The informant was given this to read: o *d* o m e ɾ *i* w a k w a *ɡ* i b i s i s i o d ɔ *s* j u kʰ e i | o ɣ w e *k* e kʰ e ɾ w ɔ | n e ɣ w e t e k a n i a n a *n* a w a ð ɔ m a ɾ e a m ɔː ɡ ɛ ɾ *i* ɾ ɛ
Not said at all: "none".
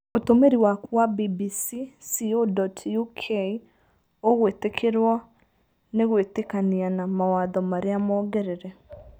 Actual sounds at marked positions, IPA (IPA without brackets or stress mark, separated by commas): t, i, b, t, t, m, e